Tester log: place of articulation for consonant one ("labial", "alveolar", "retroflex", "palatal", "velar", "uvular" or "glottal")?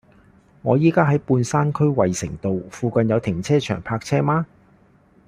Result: velar